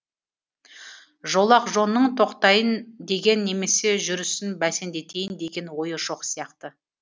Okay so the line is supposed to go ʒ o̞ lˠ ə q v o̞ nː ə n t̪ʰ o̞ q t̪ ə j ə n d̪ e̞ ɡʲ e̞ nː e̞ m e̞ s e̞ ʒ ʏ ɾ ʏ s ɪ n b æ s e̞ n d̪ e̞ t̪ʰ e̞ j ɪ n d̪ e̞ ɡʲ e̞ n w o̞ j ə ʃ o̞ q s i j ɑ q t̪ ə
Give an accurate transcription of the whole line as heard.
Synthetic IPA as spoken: ʒ o̞ lˠ ɑ q ʒ o̞ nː ə ɴ t̪ʰ o̞ q t̪ ɑ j ə n d̪ e̞ ɡʲ e̞ nː e̞ m e̞ s e̞ ʒ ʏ ɾ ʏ s ɪ n b æ s e̞ n d̪ e̞ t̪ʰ e̞ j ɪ n d̪ e̞ ɡʲ e̞ n w o̞ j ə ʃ o̞ q s i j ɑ q t̪ ə